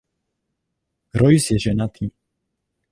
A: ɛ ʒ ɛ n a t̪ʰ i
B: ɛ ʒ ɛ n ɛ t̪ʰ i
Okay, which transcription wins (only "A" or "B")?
A